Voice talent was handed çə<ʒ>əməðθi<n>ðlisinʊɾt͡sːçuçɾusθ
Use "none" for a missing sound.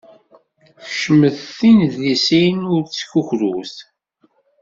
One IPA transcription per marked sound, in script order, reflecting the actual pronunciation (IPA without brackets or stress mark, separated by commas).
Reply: ʃ, n